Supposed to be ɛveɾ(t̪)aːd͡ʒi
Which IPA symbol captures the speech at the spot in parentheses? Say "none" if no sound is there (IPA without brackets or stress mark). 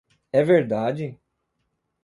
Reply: d̪